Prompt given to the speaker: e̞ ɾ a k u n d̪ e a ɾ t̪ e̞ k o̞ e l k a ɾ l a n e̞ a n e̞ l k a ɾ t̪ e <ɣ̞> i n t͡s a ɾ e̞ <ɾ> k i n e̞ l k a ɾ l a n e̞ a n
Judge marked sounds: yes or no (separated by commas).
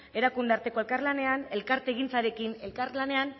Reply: yes, no